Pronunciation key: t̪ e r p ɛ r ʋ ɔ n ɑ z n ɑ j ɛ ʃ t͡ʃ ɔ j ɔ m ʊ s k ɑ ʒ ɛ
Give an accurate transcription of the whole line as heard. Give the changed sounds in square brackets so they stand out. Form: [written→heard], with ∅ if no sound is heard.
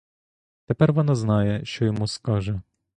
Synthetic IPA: t̪ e [r→∅] p ɛ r ʋ ɔ n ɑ z n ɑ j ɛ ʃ t͡ʃ ɔ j ɔ m [ʊ→u] s k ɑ ʒ ɛ